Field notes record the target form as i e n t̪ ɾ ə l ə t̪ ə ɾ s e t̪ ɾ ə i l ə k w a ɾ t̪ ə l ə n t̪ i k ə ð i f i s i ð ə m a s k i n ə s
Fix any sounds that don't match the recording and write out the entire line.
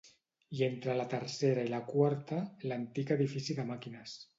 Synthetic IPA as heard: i e n t̪ ɾ ə l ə t̪ ə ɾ s e ɾ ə i l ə k w a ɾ t̪ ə l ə n t̪ i k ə ð i f i s i ð ə m a k i n ə s